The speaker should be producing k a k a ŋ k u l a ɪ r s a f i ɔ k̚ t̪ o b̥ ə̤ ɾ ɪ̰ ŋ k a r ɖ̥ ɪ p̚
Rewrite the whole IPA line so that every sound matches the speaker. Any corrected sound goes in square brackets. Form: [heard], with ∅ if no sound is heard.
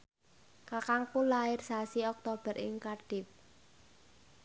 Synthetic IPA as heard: k a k a ŋ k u l a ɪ r s a [s] i ɔ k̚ t̪ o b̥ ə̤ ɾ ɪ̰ ŋ k a r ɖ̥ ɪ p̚